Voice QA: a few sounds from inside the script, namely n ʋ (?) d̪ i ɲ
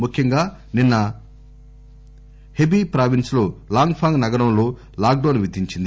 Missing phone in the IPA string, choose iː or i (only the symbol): i